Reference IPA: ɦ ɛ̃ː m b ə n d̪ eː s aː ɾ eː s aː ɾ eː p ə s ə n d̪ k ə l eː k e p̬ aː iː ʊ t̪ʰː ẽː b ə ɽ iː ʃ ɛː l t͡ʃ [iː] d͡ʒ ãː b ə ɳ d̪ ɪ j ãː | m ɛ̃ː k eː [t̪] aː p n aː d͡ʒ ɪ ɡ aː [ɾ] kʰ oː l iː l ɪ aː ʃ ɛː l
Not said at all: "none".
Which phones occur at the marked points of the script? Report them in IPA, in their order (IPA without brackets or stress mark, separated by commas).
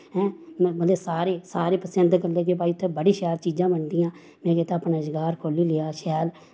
iː, t̪, ɾ